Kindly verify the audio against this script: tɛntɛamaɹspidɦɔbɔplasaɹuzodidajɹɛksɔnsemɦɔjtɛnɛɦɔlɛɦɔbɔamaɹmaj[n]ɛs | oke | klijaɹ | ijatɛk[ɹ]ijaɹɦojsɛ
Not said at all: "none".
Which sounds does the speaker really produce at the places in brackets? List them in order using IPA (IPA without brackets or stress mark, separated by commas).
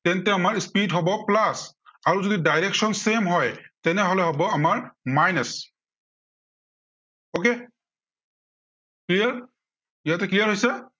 n, l